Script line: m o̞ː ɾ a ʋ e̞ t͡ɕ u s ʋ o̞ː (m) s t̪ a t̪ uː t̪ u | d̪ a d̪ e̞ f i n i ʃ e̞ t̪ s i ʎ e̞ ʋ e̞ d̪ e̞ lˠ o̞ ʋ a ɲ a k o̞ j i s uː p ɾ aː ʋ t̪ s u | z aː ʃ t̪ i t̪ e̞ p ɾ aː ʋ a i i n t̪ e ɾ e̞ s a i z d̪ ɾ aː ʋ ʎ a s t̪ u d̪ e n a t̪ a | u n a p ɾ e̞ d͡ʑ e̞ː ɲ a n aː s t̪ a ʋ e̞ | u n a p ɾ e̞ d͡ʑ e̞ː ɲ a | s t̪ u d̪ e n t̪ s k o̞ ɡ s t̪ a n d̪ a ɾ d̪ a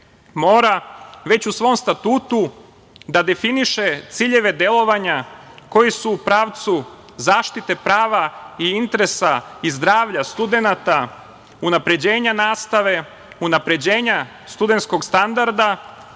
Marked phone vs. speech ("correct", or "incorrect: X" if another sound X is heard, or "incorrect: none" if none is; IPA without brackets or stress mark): correct